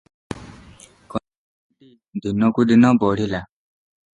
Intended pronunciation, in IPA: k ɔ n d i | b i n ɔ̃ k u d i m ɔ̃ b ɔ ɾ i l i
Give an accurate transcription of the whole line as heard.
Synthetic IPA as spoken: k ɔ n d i | d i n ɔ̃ k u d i n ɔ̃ b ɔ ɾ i l a